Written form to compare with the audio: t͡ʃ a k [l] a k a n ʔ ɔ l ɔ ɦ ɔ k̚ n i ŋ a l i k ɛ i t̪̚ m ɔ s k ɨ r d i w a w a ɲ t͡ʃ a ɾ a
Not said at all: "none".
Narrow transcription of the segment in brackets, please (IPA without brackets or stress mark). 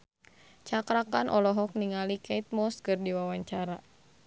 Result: ɾ